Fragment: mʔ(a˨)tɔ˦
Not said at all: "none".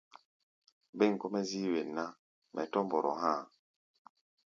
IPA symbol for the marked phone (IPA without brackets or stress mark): ɛ˨